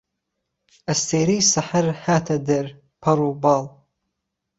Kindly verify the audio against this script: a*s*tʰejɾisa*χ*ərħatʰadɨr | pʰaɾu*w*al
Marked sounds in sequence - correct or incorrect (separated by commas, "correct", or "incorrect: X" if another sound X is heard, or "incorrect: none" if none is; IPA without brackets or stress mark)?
correct, incorrect: ħ, incorrect: b